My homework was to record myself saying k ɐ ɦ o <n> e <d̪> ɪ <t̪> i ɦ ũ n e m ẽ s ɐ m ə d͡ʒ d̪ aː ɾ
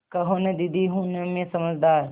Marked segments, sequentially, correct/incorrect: correct, correct, incorrect

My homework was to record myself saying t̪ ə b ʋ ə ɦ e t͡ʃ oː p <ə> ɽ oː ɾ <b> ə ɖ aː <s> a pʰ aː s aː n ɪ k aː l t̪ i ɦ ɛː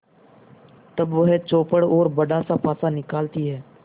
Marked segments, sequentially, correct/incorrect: correct, correct, correct

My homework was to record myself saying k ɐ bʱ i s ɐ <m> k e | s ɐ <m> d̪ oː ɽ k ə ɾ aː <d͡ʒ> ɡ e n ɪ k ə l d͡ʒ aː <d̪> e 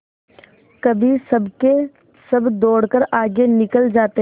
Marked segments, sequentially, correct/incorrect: incorrect, incorrect, incorrect, incorrect

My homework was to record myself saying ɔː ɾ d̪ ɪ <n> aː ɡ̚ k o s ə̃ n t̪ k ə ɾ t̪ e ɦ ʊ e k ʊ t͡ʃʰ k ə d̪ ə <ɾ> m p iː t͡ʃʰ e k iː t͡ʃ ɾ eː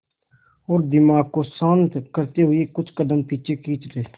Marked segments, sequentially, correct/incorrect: incorrect, incorrect

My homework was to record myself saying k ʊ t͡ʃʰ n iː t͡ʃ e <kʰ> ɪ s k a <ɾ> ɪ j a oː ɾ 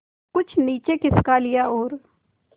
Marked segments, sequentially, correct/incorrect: incorrect, incorrect

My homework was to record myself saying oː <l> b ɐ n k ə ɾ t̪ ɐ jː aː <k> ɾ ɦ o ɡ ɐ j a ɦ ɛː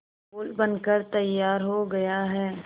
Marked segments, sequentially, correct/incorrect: correct, incorrect

